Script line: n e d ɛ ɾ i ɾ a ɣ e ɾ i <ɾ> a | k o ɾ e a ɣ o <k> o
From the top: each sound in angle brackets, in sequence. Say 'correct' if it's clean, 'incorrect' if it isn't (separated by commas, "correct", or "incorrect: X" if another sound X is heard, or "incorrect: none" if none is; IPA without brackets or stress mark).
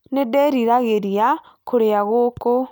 incorrect: none, correct